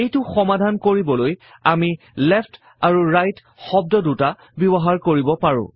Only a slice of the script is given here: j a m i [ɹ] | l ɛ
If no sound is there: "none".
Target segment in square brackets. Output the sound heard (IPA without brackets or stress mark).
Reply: none